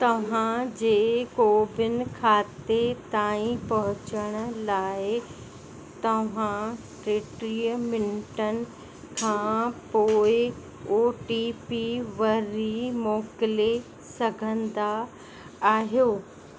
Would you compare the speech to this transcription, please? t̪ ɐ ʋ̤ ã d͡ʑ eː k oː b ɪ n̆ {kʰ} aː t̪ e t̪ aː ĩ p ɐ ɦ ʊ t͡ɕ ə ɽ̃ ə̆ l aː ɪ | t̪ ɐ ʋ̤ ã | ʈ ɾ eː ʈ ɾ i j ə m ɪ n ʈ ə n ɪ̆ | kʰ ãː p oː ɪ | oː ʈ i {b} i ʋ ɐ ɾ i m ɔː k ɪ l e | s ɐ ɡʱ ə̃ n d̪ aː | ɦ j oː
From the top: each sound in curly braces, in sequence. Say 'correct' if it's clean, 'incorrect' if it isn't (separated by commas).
correct, incorrect